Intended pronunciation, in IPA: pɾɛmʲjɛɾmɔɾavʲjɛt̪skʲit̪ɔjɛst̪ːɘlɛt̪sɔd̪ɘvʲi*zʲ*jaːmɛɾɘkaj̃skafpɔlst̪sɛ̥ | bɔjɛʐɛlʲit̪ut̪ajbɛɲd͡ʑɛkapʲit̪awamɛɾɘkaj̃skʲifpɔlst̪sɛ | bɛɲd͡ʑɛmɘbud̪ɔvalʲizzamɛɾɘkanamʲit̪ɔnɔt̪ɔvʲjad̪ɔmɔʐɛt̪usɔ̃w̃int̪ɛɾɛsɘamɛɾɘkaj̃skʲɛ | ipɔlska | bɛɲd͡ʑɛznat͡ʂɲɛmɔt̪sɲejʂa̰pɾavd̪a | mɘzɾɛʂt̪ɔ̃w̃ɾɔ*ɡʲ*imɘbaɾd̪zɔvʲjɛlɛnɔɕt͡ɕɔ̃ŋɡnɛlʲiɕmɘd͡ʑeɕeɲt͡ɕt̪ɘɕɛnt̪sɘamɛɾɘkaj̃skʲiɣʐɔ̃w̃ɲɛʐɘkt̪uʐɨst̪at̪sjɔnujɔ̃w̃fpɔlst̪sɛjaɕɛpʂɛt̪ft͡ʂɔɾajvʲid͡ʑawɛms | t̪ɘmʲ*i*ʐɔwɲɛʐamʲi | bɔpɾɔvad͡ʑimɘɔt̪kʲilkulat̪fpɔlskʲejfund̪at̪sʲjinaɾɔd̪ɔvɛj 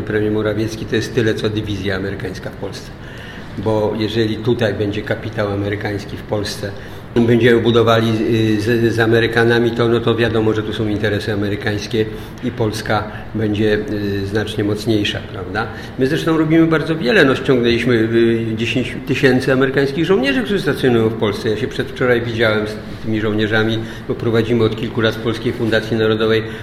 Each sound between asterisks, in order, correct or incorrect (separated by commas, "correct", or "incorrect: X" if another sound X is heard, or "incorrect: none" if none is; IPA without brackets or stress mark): correct, incorrect: bʲ, correct